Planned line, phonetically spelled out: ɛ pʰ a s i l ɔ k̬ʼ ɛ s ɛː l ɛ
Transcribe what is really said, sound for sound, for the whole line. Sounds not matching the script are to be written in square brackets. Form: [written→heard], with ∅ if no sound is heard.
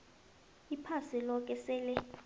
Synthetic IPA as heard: [ɛ→i] pʰ a s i l ɔ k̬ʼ ɛ s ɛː l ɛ